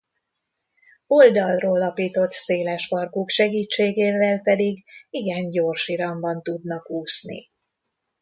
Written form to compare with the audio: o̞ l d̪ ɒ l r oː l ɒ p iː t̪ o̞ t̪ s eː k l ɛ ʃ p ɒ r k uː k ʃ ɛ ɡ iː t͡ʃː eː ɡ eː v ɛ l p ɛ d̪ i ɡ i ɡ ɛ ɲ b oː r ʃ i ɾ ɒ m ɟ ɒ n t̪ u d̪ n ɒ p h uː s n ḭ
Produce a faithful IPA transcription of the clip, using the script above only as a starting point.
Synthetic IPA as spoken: o̞ l d̪ ɒ l r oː l ɒ p iː t̪ o̞ t̪ s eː l ɛ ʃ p ɒ r k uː k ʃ ɛ ɡ iː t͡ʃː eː ɡ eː v ɛ l p ɛ d̪ i ɡ i ɡ ɛ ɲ ɟ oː r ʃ i ɾ ɒ m b ɒ n t̪ u d̪ n ɒ k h uː s n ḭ

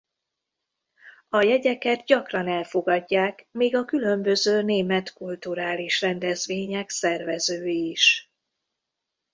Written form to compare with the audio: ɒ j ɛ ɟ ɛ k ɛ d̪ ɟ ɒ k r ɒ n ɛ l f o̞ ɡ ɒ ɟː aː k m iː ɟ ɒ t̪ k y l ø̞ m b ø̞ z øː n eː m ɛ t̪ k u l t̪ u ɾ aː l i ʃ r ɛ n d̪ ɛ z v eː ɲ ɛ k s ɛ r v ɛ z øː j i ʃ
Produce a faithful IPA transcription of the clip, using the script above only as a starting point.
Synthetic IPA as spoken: ɒ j ɛ ɟ ɛ k ɛ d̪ ɟ ɒ k r ɒ n ɛ l f o̞ ɡ ɒ ɟː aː k m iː ɡ ɒ k y l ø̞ m b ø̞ z øː n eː m ɛ t̪ k u l t̪ u ɾ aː l i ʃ r ɛ n d̪ ɛ z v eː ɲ ɛ k s ɛ r v ɛ z øː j i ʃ

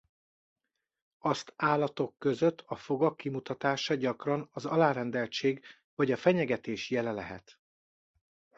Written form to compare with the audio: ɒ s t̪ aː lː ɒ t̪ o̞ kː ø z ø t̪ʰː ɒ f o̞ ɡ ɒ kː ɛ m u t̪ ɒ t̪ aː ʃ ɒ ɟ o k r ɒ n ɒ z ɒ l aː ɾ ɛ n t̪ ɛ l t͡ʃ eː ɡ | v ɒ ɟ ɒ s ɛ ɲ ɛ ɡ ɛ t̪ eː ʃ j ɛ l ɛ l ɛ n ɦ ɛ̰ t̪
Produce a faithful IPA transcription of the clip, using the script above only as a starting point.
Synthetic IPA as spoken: ɒ s t̪ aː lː ɒ t̪ o̞ kː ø z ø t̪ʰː ɒ f o̞ ɡ ɒ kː i m u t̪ ɒ t̪ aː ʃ ɒ ɟ ɒ k r ɒ n ɒ z ɒ l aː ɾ ɛ n d̪ ɛ l t͡ʃ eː ɡ | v ɒ ɟ ɒ f ɛ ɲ ɛ ɡ ɛ t̪ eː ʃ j ɛ l ɛ l ɛ ɦ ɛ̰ t̪

